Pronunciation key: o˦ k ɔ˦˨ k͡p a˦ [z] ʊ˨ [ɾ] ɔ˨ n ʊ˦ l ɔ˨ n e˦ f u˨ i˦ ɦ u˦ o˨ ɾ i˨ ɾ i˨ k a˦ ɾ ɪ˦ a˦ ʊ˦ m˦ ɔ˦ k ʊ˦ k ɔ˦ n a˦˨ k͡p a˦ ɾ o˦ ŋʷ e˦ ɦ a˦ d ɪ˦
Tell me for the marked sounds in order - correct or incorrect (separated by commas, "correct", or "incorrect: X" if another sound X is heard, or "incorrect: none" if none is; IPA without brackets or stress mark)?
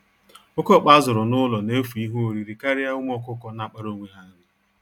correct, correct